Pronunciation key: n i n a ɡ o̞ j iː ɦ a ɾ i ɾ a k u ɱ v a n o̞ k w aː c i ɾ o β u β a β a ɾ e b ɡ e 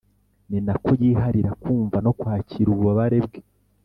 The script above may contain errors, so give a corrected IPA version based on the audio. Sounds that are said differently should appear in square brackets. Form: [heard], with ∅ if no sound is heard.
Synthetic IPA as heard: n i n a [k] o̞ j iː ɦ a ɾ i ɾ a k [uː] ɱ v a n o̞ k w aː c i ɾ [u] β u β a β a ɾ e b ɡ e